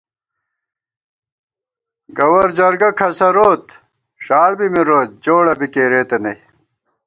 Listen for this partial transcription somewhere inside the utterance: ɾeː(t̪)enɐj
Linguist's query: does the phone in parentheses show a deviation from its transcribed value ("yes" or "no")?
no